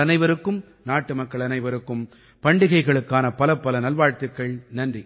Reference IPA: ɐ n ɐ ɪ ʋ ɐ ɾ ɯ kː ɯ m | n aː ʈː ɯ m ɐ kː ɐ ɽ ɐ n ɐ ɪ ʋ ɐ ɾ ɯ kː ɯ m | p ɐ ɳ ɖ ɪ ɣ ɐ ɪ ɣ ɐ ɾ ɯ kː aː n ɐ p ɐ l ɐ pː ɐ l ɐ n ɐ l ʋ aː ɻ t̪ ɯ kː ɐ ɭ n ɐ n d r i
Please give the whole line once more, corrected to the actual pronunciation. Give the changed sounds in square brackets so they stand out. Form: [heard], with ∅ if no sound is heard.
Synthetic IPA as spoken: ɐ n ɐ ɪ ʋ ɐ ɾ ɯ kː ɯ m | n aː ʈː ɯ m ɐ kː ɐ [ɭ] ɐ n ɐ ɪ ʋ ɐ ɾ ɯ kː ɯ m | p ɐ ɳ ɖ ɪ ɣ ɐ ɪ ɣ ɐ [ɭ] ɯ kː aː n ɐ p ɐ l ɐ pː ɐ l ɐ n ɐ l ʋ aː ɻ t̪ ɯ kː ɐ ɭ n ɐ n d r i